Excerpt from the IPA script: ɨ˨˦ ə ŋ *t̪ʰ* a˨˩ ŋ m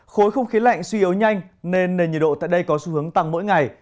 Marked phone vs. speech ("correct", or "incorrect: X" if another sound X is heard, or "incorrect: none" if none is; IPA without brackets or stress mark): incorrect: t̪